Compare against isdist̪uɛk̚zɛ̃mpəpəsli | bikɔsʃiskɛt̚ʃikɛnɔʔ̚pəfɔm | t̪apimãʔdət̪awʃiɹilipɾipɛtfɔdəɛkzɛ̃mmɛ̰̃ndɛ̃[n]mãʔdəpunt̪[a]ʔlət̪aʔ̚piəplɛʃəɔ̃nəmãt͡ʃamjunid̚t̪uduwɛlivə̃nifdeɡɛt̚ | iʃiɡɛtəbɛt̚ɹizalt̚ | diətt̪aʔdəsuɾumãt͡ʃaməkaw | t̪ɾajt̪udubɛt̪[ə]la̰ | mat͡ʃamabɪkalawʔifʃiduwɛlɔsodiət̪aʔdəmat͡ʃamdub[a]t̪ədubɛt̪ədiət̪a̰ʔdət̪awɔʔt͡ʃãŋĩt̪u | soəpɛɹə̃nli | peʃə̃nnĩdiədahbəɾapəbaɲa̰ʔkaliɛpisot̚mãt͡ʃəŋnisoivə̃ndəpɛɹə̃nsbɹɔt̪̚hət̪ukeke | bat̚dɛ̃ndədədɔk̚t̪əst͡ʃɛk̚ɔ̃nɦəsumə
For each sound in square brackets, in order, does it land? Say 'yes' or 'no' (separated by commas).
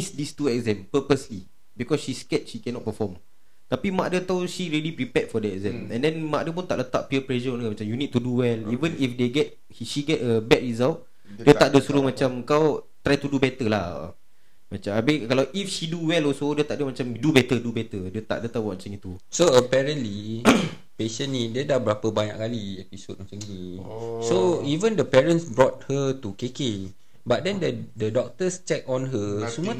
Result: yes, yes, yes, no